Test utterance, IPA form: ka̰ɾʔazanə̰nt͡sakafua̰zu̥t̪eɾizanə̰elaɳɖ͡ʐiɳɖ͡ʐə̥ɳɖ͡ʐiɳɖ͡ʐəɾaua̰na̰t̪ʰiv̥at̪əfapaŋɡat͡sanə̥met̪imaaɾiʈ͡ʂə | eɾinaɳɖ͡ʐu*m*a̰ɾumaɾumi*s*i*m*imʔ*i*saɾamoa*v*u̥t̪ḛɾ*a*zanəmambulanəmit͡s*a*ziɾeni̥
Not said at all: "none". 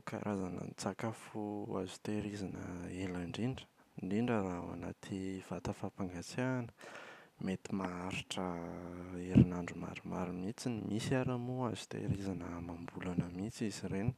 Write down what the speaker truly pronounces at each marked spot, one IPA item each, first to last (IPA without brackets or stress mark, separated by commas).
m, t͡s, n, i, z, i, i